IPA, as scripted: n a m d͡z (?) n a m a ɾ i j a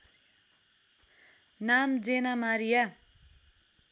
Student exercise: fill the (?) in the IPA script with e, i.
e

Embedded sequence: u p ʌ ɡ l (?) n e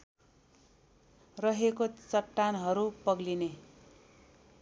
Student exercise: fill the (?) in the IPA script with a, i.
i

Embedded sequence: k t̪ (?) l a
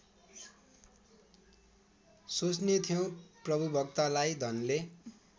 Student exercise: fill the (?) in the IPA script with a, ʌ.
a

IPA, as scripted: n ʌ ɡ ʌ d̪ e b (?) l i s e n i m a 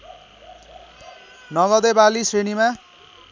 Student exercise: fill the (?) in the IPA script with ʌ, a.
a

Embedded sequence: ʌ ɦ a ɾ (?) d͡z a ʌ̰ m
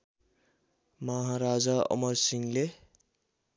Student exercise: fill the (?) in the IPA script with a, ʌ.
a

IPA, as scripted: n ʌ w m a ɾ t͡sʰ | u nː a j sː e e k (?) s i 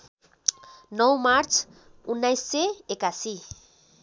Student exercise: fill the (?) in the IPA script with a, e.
a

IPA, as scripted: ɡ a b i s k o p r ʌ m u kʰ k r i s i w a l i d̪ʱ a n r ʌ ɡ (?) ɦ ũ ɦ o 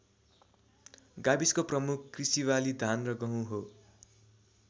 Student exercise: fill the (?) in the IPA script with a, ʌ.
ʌ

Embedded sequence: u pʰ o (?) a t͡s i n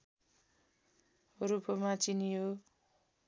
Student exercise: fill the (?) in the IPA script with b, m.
m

